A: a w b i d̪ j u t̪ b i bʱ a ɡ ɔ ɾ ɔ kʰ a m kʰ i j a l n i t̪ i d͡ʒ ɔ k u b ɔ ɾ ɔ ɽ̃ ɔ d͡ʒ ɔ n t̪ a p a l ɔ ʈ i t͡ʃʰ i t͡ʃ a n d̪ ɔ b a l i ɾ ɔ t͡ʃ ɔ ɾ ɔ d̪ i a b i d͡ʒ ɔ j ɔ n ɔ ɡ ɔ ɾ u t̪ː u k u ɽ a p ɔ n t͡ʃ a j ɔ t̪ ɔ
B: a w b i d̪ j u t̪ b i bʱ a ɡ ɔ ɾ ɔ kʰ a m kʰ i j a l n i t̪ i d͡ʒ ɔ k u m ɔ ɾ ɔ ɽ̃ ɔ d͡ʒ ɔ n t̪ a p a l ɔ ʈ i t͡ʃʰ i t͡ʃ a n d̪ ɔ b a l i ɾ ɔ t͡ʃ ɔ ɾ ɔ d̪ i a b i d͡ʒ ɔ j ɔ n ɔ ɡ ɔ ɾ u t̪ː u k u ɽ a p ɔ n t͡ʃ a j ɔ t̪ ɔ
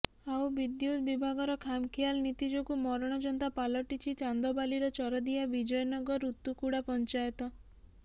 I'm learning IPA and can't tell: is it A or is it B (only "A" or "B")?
B